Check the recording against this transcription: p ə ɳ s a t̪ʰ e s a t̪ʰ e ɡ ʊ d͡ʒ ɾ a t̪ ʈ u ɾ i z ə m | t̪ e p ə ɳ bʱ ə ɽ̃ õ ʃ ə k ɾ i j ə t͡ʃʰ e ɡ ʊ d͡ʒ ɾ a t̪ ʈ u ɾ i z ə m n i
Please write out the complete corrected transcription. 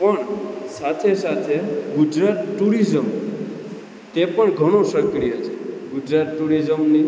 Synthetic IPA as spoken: p ə ɳ s a t̪ʰ e s a t̪ʰ e ɡ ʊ d͡ʒ ɾ a t̪ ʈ u ɾ i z ə m | t̪ e p ə ɳ ɡʱ ə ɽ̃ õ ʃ ə k ɾ i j ə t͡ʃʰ e ɡ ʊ d͡ʒ ɾ a t̪ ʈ u ɾ i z ə m n i